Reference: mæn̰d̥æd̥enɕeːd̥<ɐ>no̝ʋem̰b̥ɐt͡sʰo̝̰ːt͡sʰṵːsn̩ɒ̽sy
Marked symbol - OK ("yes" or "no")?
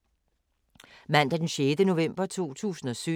no